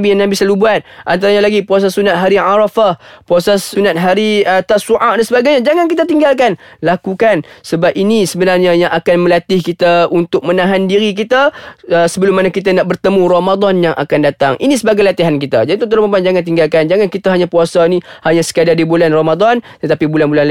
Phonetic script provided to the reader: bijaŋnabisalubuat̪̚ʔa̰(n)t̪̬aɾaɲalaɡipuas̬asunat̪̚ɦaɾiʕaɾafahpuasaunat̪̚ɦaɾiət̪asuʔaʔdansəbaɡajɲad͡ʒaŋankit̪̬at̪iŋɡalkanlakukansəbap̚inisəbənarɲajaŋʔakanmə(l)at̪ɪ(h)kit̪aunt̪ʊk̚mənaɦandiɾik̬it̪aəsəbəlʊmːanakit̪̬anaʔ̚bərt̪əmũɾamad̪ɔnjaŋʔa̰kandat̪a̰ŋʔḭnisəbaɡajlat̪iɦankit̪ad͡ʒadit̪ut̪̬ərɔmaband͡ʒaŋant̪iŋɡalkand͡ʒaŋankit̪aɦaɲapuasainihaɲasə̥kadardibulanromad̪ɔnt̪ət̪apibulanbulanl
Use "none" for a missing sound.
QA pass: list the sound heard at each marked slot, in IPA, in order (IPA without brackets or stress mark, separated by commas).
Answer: n, l, h